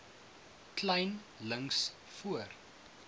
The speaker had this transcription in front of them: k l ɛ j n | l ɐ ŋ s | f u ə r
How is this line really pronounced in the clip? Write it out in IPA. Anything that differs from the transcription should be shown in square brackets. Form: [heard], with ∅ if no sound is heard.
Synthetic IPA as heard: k l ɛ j n | l [ə] ŋ s | f u ə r

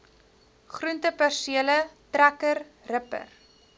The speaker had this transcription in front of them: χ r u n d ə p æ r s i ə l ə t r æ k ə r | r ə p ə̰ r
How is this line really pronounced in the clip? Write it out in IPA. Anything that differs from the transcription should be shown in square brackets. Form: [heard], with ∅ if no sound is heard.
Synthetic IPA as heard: χ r u n [t] ə p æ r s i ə l ə t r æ k ə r | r ə p ə̰ r

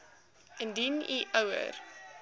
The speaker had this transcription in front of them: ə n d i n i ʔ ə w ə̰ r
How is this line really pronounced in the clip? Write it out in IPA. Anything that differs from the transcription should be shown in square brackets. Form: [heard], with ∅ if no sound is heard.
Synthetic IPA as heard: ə n d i n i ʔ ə w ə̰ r

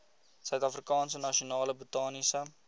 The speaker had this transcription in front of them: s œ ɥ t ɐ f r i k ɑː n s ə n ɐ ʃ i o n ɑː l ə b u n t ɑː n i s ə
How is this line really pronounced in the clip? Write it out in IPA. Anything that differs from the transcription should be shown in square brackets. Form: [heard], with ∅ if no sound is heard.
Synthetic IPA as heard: s œ ɥ t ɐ f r i k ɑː n s ə n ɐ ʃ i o n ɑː l ə b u [∅] t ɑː n i s ə

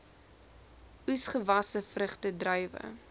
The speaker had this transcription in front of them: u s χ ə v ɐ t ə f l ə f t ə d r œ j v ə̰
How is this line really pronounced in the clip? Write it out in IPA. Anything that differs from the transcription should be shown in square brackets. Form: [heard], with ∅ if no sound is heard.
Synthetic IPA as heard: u s χ ə v ɐ [s] ə f [r] ə [χ] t ə d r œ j v ə̰

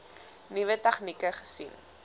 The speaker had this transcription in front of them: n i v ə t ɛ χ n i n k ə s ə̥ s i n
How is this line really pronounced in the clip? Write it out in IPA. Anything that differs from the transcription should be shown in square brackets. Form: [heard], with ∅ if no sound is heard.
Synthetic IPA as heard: n i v ə t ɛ χ n i [∅] k ə [χ] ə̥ s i n

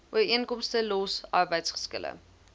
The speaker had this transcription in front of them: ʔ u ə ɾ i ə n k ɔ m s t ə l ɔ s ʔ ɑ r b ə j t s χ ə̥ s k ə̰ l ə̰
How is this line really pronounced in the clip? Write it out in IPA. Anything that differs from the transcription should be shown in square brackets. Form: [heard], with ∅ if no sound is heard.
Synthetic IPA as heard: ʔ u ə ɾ i ə n k ɔ m s t ə l ɔ s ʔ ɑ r b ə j t s χ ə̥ s k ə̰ l ə̰

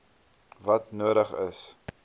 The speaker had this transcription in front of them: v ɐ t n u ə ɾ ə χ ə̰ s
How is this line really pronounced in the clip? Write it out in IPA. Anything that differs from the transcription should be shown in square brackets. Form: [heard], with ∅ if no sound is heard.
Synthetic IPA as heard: v ɐ t n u ə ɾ ə χ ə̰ s

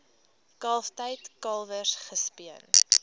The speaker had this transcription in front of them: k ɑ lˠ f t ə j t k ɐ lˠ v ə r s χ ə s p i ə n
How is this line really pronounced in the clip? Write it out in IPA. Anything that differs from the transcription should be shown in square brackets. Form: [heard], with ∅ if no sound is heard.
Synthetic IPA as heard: k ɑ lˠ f t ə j t k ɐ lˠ v ə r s χ ə s p i ə n

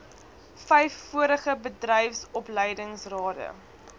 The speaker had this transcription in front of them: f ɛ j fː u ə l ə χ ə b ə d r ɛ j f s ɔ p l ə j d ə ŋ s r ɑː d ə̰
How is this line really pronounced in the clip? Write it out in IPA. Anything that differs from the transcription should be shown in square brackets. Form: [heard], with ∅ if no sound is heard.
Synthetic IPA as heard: f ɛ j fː u ə [ɾ] ə χ ə b ə d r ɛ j f s ɔ p l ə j d ə ŋ s r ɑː d ə̰

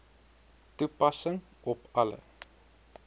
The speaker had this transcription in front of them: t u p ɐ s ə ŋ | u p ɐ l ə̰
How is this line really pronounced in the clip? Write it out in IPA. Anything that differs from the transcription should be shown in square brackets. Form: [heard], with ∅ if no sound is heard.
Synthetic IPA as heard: t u p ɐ s ə ŋ | [ɔ] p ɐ l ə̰

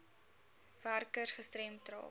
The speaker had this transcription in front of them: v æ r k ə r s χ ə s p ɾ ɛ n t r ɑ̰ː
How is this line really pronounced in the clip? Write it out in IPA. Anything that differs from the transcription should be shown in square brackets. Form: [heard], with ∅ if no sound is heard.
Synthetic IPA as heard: v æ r k ə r s χ ə s [t] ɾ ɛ [m] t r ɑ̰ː

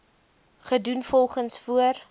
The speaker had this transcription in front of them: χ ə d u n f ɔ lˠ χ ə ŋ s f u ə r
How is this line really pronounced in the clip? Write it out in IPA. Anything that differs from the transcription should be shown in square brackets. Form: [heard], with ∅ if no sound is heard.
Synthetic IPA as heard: χ ə d u n f ɔ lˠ χ ə [n] s f u ə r

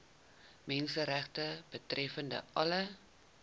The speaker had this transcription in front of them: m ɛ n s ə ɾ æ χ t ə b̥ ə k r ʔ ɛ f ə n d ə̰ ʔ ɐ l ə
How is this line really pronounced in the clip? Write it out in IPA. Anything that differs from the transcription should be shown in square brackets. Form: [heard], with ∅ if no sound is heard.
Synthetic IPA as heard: m ɛ n s ə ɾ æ χ t ə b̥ ə [t] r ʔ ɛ f ə n d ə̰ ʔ ɐ l ə

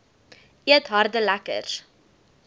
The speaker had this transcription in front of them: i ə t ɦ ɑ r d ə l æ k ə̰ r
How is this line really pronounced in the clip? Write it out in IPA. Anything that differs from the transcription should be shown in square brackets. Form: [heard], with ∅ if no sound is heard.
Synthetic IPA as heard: i ə t ɦ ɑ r d ə l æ k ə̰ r

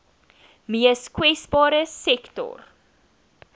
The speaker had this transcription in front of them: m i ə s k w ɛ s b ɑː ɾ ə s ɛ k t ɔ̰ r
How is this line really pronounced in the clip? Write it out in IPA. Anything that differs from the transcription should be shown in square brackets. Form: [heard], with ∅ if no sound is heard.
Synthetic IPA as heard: m i ə s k w ɛ s b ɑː ɾ ə s ɛ k t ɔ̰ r

